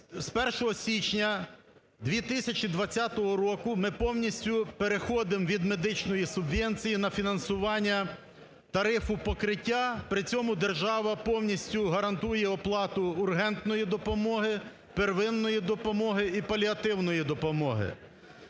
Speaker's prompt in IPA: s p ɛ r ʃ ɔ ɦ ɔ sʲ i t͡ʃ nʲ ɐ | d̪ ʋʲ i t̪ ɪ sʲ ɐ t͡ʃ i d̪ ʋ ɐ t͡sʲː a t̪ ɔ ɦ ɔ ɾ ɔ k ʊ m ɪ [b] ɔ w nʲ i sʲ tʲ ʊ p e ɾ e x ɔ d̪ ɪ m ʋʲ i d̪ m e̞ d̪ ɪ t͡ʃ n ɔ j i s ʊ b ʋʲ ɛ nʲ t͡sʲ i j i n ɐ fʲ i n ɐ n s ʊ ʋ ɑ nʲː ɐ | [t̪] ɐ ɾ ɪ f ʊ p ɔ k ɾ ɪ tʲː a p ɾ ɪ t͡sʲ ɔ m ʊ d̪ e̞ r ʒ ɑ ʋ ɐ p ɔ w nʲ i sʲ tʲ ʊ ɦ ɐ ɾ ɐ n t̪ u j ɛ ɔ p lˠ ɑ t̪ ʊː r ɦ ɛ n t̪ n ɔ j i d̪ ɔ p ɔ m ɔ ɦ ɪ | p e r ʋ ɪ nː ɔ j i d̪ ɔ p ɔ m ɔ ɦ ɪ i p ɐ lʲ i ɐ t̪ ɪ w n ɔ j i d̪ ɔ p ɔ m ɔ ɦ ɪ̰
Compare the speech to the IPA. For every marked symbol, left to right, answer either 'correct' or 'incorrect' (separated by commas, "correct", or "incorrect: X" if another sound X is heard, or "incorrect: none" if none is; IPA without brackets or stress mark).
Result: incorrect: p, correct